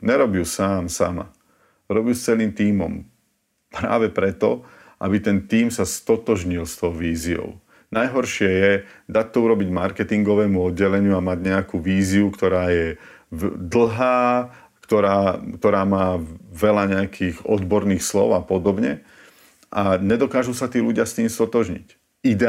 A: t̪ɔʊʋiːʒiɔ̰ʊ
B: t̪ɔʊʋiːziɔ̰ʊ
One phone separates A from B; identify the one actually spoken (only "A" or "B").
B